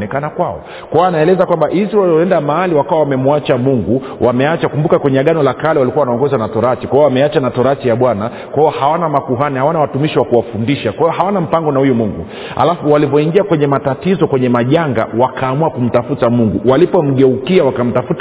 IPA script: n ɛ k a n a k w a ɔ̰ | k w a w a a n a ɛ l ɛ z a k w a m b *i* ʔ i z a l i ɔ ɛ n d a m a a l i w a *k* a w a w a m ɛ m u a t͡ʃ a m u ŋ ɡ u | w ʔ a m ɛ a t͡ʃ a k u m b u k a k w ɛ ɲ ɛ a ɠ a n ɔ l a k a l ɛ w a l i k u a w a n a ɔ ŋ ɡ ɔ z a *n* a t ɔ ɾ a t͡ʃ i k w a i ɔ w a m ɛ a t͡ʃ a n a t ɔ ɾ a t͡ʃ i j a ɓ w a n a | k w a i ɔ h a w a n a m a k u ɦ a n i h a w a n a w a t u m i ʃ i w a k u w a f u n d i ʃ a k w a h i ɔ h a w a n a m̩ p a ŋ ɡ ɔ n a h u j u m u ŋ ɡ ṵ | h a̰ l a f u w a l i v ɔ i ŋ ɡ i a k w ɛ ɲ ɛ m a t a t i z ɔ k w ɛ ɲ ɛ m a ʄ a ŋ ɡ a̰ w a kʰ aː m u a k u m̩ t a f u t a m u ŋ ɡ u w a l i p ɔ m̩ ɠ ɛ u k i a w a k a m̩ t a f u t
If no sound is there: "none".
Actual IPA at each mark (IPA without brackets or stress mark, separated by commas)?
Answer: a, k, n